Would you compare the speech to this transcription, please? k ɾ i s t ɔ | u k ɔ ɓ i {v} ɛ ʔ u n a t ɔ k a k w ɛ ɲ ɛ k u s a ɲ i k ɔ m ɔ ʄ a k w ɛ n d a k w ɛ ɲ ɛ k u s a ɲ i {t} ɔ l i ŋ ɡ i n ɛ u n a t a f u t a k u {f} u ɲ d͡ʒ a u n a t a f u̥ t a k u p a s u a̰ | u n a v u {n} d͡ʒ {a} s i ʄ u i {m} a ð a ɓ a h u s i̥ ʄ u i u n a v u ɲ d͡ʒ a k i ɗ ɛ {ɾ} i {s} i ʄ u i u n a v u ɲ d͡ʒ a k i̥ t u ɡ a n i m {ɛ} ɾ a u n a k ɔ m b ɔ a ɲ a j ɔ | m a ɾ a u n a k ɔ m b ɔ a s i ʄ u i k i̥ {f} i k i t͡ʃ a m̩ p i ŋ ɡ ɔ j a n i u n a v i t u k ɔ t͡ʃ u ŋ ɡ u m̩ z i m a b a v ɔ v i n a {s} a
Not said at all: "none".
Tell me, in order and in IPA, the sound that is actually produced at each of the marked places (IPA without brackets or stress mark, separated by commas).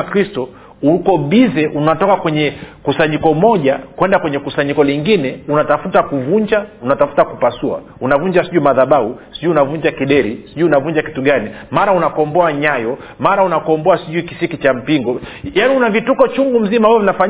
z, k, v, ɲ, a, m, ɾ, s, a, s, f